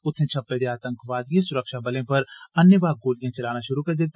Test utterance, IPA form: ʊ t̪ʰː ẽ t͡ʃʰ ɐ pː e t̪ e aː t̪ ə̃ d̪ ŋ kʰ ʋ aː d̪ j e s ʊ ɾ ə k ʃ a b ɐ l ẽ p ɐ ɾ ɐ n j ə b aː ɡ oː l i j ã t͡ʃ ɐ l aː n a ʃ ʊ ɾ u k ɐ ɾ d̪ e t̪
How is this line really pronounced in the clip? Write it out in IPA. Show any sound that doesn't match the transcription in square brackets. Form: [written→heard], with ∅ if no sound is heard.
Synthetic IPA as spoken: ʊ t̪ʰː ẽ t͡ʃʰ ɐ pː e [t̪→d̪] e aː t̪ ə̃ [d̪→∅] ŋ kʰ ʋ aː d̪ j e s ʊ ɾ ə k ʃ a b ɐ l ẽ p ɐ ɾ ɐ n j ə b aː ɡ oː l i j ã t͡ʃ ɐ l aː n a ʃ ʊ ɾ u k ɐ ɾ d̪ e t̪